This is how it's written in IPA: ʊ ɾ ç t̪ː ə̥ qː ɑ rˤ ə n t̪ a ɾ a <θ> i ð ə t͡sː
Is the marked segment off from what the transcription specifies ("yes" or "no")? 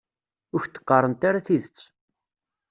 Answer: no